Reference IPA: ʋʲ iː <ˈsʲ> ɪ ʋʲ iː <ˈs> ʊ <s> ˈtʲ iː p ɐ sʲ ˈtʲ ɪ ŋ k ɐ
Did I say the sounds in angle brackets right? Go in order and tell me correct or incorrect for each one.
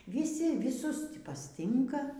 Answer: correct, correct, correct

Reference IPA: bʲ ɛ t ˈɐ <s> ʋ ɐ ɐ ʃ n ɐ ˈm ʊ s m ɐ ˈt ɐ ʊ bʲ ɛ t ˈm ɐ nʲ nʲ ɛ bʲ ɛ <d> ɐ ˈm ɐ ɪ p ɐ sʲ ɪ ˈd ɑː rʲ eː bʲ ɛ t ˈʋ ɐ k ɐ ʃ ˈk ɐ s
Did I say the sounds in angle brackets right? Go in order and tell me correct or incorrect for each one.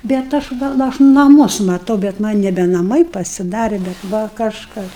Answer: incorrect: ʃ, incorrect: n

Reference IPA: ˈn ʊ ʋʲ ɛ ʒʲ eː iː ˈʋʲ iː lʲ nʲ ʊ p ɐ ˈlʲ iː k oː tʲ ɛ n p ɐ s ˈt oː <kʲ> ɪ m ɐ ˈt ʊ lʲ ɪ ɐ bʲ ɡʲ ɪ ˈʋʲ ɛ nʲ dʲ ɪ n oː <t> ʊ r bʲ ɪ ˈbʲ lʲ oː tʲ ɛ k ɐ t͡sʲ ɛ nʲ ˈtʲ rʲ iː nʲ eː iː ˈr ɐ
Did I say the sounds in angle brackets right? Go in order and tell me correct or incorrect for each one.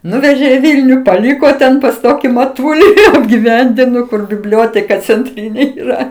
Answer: correct, incorrect: k

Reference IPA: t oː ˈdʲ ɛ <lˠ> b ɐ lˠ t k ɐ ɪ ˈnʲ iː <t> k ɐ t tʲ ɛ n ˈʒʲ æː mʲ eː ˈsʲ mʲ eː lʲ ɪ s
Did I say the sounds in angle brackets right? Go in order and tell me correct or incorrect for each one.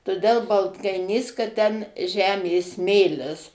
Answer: correct, incorrect: s

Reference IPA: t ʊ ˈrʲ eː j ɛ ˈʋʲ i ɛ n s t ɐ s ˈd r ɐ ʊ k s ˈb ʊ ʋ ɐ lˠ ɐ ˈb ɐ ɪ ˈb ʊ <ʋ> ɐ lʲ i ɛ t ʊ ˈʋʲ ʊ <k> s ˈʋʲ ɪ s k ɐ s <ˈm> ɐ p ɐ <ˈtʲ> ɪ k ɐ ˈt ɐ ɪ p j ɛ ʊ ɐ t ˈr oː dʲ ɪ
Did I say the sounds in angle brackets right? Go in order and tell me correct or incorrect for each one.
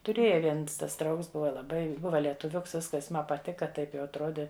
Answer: correct, correct, correct, correct

